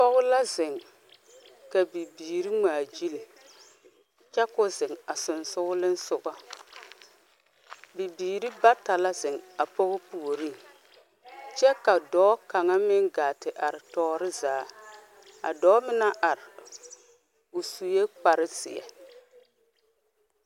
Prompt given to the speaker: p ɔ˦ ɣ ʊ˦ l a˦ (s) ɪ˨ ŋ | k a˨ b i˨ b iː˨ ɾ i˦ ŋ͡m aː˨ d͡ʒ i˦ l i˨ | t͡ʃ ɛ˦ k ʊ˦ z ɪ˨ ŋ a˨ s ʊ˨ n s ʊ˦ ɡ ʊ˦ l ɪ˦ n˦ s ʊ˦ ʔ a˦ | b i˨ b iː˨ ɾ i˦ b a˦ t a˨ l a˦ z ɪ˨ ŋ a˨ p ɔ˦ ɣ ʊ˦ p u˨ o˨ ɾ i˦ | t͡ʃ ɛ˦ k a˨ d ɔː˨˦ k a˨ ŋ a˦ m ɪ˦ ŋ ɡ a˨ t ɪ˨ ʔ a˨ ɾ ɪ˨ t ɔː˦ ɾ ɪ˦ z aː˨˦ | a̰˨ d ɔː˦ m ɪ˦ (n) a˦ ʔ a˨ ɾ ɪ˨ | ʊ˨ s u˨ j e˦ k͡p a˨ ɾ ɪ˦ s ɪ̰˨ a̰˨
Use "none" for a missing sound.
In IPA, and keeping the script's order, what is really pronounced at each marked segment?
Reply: z, n

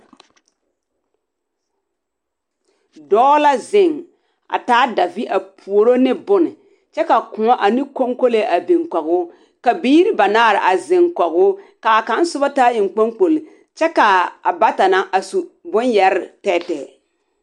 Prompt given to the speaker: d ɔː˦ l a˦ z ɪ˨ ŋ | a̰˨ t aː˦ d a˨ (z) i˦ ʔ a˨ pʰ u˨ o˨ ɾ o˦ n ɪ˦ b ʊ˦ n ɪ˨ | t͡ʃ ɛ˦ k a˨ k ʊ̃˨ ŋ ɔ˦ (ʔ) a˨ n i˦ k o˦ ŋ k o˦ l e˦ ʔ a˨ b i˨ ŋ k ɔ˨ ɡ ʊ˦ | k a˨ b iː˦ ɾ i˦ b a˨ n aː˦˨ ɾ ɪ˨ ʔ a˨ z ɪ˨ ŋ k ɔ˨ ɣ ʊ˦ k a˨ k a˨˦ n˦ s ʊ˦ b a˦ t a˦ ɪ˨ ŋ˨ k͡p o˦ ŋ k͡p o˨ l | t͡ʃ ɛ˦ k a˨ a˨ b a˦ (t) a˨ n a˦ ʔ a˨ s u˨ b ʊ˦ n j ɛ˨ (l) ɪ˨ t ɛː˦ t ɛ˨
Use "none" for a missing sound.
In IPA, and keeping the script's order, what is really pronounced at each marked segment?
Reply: v, ʔ, t, ɾ

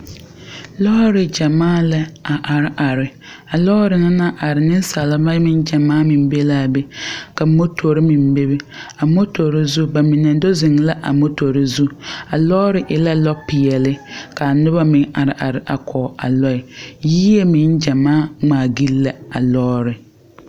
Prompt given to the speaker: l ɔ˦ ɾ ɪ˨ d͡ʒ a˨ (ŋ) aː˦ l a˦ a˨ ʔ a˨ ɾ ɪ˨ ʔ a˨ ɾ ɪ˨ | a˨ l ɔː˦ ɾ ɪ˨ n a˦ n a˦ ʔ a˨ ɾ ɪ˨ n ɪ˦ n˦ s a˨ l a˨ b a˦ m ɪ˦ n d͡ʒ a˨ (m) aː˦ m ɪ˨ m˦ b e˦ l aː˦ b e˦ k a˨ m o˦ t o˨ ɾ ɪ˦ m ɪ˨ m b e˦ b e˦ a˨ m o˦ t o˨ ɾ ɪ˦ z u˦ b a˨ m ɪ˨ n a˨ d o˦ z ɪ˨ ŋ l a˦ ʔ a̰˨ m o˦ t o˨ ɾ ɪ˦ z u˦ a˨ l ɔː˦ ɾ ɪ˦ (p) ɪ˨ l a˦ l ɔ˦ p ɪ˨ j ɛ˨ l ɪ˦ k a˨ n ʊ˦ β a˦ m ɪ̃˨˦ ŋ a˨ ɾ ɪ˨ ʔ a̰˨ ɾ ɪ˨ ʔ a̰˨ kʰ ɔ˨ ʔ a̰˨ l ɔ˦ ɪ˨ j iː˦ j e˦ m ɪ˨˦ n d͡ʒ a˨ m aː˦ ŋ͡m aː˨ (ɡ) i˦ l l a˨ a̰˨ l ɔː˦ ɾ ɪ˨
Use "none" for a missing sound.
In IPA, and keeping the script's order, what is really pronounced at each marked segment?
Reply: m, m, ʔ, ɡ

